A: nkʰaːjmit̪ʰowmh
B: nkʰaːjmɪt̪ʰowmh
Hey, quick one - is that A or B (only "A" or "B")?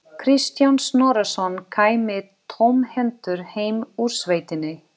B